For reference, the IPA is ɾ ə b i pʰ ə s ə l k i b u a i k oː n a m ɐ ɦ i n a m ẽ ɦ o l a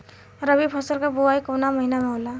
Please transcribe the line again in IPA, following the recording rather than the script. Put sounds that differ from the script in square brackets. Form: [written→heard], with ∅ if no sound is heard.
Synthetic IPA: ɾ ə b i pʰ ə s ə l k [i→a] b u a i k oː n a m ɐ ɦ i n a m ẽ ɦ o l a

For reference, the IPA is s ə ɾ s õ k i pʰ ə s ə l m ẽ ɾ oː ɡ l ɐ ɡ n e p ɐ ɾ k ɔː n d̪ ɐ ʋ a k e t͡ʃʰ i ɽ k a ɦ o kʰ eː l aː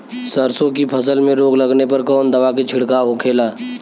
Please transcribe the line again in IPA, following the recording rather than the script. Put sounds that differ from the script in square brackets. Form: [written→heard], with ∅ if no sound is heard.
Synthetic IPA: s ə ɾ s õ k i pʰ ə s ə l m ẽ ɾ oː ɡ l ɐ ɡ n e p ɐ ɾ k ɔː n d̪ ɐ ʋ a k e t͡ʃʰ [i→ɪ] ɽ k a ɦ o kʰ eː l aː

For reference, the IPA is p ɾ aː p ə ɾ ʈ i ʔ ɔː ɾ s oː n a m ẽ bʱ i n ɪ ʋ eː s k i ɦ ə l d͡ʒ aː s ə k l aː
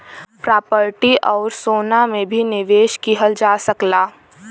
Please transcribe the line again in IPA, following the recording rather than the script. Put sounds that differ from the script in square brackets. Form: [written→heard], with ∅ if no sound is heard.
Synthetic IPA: p ɾ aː p ə ɾ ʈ i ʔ ɔː ɾ s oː n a m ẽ bʱ i n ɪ ʋ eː [s→ʃ] k i ɦ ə l d͡ʒ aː s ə k l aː

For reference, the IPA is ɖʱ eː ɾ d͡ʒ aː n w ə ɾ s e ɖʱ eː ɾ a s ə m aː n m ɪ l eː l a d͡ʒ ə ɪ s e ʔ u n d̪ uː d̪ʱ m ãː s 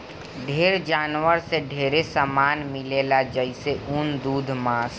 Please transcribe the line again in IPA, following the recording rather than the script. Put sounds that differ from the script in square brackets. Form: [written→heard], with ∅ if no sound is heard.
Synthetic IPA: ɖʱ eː ɾ d͡ʒ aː n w ə ɾ s e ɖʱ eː ɾ [a→e] s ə m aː n m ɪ l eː l a d͡ʒ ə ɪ s e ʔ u n d̪ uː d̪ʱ m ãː s

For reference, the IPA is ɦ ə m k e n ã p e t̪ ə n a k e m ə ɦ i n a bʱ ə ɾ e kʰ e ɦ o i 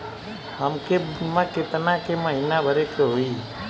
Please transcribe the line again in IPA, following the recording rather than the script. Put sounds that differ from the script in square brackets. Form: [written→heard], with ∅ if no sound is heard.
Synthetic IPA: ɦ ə m k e [n→m] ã [p→k] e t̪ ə n a k e m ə ɦ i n a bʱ ə ɾ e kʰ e ɦ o i

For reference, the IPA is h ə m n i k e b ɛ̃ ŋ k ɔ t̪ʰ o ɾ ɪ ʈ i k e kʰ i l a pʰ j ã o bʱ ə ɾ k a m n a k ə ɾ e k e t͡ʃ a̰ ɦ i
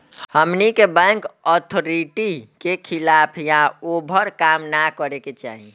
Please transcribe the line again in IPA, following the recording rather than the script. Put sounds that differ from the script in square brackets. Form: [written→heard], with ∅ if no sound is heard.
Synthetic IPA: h ə m n i k e b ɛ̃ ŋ k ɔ t̪ʰ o ɾ [ɪ→i] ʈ i k e kʰ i l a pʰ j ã o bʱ ə ɾ k a m n a k ə ɾ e k e t͡ʃ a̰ ɦ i

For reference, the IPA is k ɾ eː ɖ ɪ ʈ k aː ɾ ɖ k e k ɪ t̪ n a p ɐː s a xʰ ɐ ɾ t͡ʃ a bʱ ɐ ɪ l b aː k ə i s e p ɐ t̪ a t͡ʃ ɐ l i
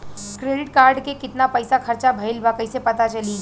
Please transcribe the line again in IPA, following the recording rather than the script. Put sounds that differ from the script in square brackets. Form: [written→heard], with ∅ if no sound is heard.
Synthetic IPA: k ɾ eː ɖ ɪ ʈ k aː ɾ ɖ k e k ɪ t̪ n a p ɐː s a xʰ ɐ ɾ t͡ʃ a bʱ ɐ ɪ l b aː k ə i s e p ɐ t̪ a t͡ʃ ɐ l i

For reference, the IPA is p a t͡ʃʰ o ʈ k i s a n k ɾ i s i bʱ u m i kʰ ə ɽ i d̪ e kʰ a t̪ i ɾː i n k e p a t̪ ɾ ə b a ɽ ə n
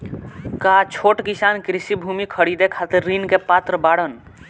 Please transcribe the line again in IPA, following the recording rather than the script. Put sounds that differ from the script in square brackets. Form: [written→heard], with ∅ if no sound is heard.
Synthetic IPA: [p→k] a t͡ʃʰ o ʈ k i s a n k ɾ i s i bʱ u m i kʰ ə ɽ i d̪ e kʰ a t̪ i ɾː i n k e p a t̪ ɾ ə b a ɽ ə n

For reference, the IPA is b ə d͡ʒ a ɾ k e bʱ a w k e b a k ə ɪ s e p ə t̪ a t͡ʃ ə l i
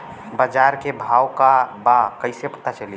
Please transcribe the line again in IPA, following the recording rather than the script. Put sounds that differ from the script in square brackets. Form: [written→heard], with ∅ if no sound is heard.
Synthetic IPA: b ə d͡ʒ a ɾ k e bʱ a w k [e→a] b a k ə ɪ s e p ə t̪ a t͡ʃ ə l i

